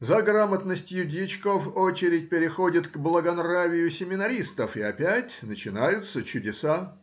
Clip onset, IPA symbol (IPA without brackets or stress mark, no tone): z